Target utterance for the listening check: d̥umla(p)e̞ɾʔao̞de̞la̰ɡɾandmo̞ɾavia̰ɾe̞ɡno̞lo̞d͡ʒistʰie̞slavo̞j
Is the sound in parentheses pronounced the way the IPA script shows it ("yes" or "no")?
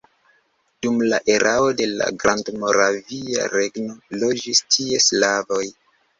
no